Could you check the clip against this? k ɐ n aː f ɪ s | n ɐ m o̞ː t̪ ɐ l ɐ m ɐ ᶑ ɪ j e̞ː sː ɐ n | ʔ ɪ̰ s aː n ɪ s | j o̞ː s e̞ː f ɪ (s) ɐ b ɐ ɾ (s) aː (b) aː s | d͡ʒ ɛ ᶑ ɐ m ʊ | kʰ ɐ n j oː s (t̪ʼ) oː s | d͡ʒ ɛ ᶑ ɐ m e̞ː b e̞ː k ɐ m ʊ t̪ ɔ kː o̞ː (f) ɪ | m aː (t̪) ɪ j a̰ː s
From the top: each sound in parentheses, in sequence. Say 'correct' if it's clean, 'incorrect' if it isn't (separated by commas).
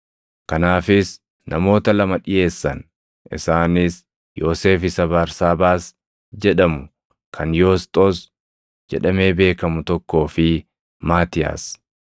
correct, correct, correct, correct, correct, correct